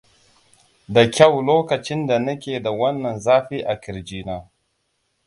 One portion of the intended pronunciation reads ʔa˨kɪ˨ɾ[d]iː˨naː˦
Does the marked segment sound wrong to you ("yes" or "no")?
yes